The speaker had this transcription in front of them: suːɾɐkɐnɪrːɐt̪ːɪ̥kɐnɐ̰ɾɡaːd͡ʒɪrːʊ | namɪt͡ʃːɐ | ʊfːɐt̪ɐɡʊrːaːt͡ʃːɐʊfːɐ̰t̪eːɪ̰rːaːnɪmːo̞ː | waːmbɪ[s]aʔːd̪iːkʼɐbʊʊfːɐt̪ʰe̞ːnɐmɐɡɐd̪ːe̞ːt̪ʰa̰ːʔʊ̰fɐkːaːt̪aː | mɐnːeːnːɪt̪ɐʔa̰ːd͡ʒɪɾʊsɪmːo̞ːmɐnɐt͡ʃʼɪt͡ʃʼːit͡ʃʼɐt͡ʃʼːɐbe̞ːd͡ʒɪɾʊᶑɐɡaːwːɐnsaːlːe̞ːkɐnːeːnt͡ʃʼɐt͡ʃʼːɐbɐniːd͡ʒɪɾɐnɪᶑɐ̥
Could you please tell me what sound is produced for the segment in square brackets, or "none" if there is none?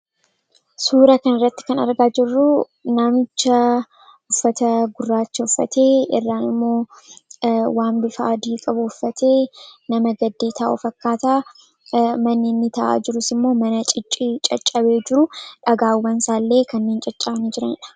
f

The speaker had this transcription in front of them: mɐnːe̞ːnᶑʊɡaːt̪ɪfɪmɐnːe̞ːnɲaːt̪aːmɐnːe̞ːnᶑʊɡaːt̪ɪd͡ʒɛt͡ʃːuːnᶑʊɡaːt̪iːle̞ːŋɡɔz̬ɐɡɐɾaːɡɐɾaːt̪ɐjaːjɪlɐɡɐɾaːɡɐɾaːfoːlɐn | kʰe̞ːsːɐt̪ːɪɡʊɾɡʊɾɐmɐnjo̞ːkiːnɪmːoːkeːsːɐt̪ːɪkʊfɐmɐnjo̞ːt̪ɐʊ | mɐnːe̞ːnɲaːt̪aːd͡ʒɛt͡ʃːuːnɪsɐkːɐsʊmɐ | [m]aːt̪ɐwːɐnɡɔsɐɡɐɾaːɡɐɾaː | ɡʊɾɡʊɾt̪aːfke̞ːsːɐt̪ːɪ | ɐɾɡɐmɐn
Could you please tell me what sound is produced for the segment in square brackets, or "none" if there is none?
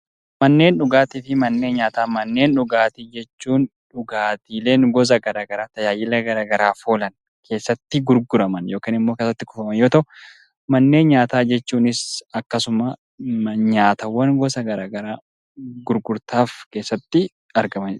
ɲ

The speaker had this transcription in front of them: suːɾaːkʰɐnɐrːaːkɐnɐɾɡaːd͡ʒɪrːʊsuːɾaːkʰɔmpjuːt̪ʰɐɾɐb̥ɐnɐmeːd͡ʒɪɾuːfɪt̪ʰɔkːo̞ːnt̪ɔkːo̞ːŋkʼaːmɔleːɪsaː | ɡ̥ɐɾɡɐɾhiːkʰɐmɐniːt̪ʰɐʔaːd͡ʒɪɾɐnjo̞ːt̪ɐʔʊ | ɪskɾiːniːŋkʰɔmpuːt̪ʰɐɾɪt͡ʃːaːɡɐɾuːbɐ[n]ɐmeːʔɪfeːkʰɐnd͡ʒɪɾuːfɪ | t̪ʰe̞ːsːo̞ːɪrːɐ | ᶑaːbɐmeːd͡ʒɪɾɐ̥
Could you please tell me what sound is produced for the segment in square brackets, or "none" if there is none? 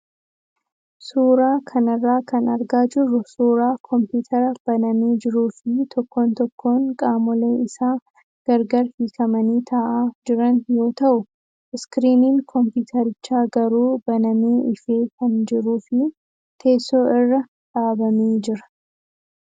n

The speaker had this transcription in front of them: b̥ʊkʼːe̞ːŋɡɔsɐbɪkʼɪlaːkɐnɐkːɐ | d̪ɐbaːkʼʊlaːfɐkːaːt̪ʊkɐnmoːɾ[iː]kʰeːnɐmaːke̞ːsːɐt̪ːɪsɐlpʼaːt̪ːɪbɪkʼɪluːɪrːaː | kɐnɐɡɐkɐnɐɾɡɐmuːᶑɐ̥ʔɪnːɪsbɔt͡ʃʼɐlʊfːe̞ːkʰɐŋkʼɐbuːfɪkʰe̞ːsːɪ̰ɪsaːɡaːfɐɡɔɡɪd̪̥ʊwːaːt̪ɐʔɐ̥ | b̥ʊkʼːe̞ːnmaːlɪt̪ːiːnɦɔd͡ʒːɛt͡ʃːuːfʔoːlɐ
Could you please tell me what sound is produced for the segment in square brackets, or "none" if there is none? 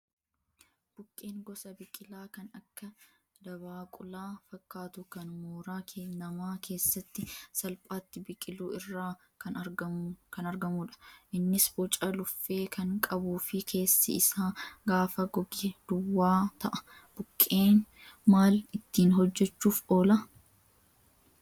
aː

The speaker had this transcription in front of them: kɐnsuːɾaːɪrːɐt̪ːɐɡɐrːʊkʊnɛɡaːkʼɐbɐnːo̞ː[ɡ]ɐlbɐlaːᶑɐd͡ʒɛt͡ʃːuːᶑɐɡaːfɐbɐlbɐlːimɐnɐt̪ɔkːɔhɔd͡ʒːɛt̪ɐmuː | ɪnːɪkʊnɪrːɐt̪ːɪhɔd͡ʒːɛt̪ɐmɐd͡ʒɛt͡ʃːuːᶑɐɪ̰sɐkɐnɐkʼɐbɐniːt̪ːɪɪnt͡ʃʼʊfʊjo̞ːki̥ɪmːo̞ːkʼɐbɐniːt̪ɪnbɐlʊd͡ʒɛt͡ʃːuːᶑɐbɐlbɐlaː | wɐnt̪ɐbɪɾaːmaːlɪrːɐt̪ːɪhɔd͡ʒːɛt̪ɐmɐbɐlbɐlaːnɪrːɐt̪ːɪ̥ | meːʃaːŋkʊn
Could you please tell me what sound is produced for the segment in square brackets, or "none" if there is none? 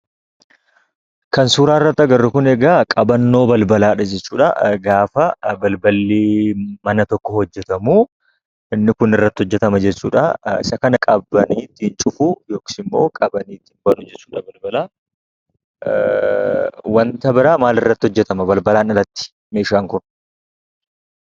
b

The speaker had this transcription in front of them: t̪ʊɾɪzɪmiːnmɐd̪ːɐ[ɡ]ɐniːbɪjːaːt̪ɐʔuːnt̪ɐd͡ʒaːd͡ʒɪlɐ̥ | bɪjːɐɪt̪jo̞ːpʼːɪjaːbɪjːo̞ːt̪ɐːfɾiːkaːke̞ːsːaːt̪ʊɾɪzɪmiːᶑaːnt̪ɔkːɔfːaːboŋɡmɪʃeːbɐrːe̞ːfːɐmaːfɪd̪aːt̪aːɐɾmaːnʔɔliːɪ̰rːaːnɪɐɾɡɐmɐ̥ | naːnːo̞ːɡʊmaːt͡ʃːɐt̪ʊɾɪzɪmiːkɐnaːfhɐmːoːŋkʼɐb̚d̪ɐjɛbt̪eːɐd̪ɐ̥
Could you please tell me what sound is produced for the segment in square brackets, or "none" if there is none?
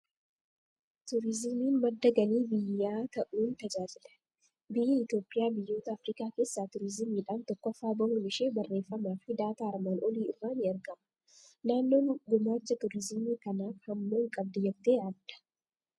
ɡ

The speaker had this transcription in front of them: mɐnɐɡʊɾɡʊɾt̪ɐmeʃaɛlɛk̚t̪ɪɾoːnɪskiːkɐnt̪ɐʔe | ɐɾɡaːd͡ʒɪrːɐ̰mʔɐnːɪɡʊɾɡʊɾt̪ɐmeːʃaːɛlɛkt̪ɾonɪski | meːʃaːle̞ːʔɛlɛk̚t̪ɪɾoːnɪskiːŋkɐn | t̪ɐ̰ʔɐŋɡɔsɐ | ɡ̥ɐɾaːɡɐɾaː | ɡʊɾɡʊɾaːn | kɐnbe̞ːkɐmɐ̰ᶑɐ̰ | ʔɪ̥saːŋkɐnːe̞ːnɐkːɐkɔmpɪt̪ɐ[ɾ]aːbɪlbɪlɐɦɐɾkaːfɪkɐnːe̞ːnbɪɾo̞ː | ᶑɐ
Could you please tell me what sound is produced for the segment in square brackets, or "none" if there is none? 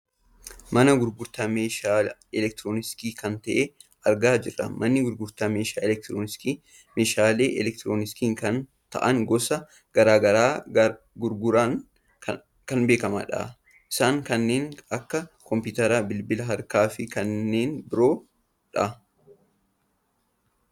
ɾ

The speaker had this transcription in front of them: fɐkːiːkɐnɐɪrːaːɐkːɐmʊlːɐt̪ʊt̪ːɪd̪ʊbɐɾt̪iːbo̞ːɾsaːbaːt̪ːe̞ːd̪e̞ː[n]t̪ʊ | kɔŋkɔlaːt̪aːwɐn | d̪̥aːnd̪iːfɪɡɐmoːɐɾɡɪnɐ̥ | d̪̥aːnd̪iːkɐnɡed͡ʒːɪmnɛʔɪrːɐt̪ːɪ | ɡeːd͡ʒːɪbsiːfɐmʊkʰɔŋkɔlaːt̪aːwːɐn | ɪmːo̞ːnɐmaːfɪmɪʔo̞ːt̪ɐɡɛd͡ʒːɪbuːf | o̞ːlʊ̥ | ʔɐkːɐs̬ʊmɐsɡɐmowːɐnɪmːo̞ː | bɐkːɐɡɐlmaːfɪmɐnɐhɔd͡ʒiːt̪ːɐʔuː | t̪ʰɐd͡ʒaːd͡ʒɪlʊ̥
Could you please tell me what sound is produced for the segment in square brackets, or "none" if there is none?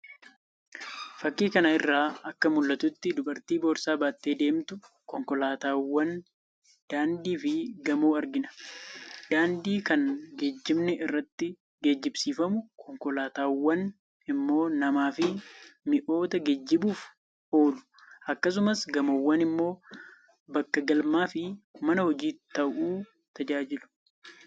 m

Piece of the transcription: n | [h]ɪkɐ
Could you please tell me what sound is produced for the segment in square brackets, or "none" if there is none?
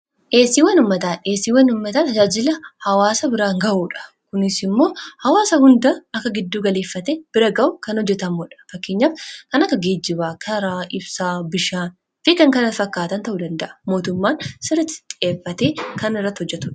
f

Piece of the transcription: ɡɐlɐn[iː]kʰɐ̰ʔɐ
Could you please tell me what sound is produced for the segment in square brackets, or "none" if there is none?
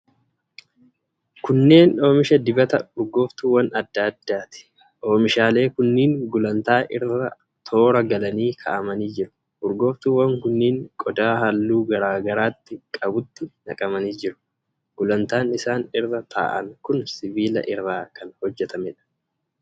iː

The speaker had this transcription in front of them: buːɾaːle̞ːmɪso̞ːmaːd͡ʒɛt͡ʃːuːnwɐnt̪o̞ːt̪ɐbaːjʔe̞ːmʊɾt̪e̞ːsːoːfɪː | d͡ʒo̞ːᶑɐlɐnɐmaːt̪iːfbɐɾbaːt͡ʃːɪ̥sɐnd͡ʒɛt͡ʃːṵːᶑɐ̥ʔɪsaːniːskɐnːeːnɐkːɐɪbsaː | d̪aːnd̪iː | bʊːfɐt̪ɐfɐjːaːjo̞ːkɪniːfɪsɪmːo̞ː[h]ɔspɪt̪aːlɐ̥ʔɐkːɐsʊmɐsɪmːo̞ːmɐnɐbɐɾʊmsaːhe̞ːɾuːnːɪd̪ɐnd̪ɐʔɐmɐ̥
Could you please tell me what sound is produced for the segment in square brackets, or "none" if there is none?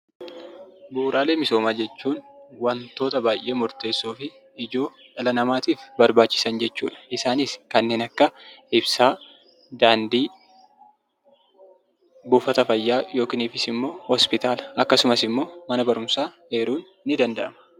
h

